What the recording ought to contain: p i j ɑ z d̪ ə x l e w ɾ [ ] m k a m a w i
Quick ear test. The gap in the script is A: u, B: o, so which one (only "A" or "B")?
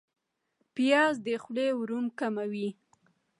A